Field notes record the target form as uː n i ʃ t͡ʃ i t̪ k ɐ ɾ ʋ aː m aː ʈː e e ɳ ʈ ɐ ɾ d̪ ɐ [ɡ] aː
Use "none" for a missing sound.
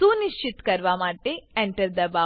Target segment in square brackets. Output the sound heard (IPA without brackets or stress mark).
b